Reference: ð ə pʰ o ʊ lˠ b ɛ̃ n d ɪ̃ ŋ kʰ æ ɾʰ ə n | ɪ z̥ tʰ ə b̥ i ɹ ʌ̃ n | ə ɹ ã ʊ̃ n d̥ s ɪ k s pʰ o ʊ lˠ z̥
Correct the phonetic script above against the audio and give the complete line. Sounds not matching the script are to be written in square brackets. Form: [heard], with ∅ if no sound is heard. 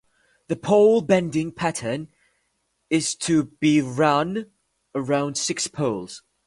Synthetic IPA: ð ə pʰ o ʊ lˠ b ɛ̃ n d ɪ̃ ŋ [pʰ] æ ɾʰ ə n | ɪ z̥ tʰ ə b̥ i ɹ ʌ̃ n | ə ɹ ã ʊ̃ n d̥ s ɪ k s pʰ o ʊ lˠ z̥